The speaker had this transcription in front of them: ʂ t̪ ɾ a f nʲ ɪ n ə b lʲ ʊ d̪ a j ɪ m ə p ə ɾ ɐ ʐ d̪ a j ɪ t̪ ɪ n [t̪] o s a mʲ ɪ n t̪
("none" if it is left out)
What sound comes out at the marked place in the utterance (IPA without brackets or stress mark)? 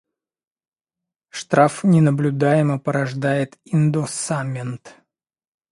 d̪